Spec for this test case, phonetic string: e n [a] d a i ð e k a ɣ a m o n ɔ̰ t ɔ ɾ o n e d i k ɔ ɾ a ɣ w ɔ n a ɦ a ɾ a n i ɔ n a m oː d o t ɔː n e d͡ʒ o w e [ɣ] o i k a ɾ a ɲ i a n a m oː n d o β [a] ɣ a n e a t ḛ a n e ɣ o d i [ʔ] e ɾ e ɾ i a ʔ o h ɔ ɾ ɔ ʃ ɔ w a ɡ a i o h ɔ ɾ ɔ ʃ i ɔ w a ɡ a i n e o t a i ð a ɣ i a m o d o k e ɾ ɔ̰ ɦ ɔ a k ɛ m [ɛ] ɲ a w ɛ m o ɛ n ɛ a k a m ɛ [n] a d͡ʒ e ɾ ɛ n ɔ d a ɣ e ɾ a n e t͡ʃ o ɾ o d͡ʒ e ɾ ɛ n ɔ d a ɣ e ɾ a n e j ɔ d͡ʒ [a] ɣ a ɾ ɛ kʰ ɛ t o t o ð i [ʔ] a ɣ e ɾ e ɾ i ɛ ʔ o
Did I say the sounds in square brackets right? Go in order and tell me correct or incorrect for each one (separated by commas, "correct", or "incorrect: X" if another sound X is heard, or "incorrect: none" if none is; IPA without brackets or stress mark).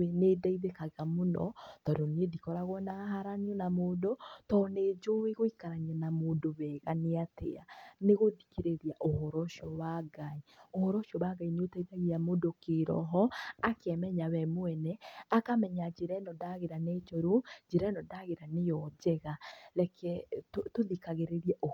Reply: incorrect: e, correct, incorrect: ɛ, incorrect: k, correct, incorrect: ɲ, incorrect: ɛ, incorrect: k